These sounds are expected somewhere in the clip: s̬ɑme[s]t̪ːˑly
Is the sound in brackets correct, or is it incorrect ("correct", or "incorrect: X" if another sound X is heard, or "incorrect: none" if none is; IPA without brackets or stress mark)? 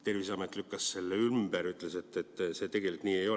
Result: incorrect: none